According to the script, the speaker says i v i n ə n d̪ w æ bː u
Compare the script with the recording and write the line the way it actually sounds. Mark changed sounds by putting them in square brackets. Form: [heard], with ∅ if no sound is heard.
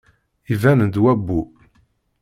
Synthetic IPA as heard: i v [æ] n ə n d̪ w æ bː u